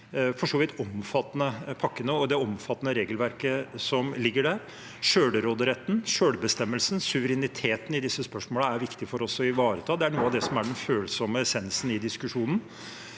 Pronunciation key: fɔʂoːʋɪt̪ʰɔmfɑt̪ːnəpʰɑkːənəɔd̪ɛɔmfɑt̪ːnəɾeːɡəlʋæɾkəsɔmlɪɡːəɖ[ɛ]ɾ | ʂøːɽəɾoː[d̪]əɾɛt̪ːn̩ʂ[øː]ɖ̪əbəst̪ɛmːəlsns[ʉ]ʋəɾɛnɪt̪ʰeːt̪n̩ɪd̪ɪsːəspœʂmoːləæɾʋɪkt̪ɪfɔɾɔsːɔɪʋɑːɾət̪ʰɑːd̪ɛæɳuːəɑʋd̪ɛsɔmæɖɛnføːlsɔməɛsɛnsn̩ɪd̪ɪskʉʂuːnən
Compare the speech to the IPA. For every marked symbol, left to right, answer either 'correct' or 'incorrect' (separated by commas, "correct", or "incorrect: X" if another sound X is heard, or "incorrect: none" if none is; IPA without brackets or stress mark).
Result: incorrect: æ, correct, correct, correct